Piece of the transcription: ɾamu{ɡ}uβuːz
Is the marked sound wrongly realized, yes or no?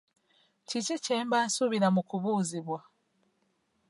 yes